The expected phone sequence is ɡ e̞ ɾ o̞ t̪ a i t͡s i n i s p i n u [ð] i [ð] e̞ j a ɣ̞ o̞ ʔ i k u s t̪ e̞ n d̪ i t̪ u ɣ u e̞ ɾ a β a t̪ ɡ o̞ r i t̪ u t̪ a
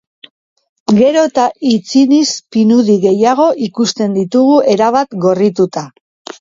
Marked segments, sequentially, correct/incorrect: correct, incorrect: ɣ

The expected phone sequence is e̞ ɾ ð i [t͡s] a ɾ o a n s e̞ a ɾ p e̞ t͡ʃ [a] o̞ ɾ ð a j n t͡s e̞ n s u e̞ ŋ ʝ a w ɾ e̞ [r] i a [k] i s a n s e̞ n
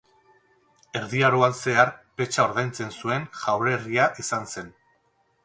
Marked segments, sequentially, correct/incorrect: incorrect: none, correct, correct, incorrect: ʔ

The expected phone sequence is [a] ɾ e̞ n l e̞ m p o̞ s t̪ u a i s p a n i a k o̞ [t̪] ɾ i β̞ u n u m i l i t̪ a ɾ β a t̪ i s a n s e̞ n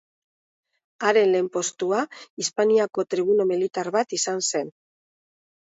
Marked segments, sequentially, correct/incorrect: correct, correct

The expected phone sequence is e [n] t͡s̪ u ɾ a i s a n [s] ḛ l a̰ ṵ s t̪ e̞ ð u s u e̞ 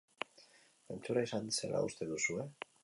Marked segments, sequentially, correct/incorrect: correct, correct

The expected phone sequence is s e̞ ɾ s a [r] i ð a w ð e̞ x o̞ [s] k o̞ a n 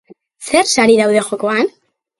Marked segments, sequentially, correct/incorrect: incorrect: ɾ, incorrect: none

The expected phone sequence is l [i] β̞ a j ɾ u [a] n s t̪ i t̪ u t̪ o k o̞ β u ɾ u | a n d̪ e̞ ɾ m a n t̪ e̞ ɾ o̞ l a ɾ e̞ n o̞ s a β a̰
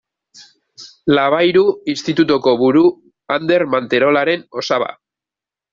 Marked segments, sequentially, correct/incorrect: incorrect: a, incorrect: i

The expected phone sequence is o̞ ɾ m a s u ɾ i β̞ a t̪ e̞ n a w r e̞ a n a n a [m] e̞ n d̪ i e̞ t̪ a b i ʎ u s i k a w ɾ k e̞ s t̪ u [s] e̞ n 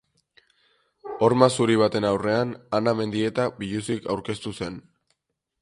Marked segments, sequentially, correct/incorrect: correct, correct

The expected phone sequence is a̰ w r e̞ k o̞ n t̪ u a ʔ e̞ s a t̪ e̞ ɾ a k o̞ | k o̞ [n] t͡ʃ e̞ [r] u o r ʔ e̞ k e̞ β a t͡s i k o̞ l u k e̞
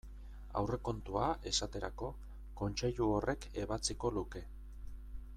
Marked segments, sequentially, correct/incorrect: correct, incorrect: ʎ

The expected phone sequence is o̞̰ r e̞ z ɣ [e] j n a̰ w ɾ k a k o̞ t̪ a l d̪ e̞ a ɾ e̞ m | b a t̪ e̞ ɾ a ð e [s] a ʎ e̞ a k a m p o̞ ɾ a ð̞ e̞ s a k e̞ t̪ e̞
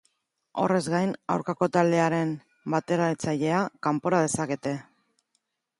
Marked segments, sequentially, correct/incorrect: incorrect: a, incorrect: t͡s

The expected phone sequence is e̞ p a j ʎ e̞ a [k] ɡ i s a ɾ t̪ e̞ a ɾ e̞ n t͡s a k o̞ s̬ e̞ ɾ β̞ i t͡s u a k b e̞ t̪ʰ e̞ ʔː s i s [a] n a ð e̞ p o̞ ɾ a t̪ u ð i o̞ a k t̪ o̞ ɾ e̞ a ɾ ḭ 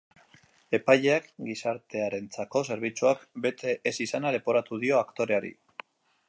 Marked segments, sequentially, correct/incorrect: correct, correct

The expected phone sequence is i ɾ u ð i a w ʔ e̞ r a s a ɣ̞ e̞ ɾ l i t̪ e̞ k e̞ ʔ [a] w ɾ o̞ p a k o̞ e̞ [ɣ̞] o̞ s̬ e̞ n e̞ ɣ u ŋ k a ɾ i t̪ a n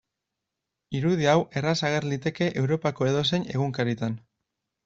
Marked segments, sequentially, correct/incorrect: incorrect: e, incorrect: ð̞

